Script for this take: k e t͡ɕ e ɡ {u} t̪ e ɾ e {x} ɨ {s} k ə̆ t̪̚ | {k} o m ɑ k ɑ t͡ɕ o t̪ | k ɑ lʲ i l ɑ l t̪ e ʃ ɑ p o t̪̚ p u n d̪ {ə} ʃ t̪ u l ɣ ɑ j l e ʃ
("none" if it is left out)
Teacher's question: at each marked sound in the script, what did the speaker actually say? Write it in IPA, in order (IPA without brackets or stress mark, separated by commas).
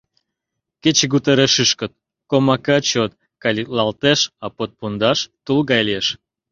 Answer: u, ʃ, ʃ, k, ɑ